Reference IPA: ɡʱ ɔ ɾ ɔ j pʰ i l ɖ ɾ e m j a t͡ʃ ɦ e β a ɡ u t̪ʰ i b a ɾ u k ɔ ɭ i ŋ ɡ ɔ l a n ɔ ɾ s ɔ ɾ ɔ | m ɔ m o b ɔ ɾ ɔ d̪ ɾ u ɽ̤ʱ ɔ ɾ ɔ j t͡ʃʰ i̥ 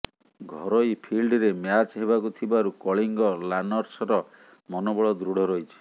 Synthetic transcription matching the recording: ɡʱ ɔ ɾ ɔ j pʰ i l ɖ ɾ e m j a t͡ʃ ɦ e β a k u t̪ʰ i b a ɾ u k ɔ ɭ i ŋ ɡ ɔ l a n ɔ ɾ s ɔ ɾ ɔ | m ɔ n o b ɔ ɭ ɔ d̪ ɾ u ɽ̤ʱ ɔ ɾ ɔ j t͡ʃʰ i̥